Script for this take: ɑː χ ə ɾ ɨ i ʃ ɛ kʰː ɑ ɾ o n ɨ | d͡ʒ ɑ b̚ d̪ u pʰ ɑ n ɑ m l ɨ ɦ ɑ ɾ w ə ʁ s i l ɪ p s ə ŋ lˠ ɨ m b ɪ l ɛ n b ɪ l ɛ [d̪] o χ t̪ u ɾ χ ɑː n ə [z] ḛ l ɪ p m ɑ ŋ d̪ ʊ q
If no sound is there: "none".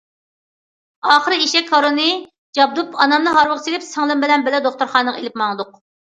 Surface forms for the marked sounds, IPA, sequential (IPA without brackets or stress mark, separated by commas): d̪, ʁ